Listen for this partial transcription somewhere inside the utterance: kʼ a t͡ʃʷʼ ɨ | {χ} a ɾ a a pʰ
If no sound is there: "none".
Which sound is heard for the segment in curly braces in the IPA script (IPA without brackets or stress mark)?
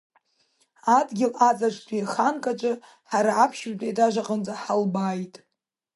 ħ